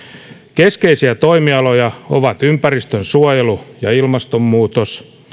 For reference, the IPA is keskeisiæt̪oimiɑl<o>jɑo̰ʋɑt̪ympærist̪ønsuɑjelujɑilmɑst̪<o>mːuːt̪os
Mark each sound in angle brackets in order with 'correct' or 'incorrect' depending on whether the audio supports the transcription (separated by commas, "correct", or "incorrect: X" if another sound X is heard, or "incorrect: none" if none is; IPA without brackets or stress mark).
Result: correct, correct